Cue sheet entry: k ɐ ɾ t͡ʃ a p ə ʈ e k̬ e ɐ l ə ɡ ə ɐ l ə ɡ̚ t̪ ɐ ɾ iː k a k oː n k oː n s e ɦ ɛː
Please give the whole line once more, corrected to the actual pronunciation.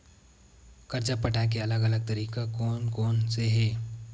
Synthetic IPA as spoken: k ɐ ɾ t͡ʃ a p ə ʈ a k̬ e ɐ l ə ɡ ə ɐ l ə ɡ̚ t̪ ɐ ɾ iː k a k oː n k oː n s e ɦ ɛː